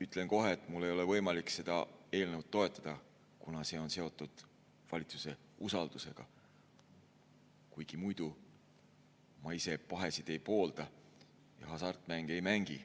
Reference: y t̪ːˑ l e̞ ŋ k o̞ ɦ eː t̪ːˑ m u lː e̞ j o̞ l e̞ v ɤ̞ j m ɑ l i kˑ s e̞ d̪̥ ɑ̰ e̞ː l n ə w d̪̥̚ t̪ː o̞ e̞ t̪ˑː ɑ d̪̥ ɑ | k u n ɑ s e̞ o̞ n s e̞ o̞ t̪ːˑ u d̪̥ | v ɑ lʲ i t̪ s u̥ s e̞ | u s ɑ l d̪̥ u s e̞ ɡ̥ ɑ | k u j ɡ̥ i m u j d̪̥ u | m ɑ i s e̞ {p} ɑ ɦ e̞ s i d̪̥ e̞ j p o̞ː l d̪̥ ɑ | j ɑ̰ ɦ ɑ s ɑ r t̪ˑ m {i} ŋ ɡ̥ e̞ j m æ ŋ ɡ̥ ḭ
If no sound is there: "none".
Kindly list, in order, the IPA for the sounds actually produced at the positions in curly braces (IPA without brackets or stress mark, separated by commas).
p, æ